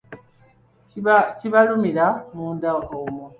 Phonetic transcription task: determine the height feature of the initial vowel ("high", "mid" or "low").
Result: high